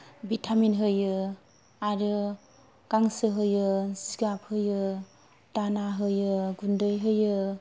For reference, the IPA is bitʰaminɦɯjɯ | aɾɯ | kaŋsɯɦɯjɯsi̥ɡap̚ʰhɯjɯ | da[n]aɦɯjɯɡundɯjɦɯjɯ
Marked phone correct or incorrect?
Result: correct